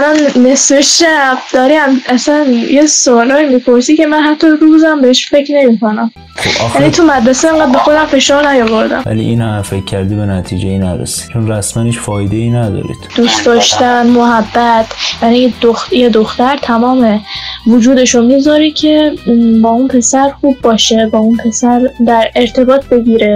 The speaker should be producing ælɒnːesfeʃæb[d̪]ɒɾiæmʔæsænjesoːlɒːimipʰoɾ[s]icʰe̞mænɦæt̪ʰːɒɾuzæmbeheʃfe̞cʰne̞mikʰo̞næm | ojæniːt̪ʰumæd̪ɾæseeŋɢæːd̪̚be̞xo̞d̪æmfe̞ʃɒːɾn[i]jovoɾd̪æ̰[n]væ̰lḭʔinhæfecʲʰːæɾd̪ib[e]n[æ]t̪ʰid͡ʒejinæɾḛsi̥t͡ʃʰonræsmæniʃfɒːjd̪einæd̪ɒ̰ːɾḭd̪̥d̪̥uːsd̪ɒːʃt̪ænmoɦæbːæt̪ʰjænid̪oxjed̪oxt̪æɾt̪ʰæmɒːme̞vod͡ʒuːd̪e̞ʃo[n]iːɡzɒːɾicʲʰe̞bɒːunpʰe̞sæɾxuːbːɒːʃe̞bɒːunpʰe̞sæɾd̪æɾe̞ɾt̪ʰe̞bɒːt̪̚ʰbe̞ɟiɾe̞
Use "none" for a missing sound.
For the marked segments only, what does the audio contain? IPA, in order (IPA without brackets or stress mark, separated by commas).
d̪, s, æ, m, e, æ, m